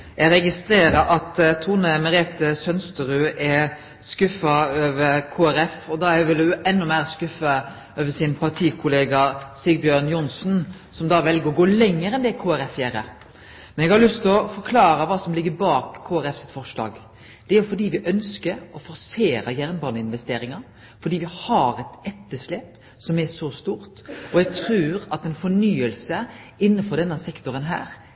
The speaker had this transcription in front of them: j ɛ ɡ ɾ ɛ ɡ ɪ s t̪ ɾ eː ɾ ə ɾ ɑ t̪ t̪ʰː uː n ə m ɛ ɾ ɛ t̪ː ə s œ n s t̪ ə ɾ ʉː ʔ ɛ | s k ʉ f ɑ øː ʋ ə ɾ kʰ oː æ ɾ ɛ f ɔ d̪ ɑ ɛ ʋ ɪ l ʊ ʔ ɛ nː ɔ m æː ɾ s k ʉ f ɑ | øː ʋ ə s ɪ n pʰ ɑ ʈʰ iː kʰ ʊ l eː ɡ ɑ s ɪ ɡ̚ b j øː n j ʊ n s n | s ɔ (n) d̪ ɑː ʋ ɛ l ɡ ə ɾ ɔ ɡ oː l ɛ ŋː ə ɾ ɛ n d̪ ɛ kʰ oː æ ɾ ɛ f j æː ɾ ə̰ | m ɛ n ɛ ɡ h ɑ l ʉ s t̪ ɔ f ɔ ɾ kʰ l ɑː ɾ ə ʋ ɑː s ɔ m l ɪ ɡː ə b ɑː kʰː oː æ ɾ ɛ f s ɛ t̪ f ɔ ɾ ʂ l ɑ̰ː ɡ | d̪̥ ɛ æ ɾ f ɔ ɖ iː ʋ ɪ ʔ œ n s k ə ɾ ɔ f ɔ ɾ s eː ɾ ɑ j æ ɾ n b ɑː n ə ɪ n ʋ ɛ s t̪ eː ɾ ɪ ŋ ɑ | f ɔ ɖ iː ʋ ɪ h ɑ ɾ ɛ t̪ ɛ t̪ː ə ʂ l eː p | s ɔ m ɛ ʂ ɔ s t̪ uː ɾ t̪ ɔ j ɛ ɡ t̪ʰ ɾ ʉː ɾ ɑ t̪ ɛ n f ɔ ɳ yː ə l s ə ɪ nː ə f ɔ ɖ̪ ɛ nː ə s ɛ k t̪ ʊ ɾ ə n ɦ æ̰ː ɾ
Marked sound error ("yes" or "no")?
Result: yes